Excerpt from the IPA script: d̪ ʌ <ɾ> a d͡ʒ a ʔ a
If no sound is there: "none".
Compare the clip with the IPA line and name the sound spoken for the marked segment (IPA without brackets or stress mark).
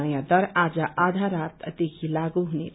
ɾ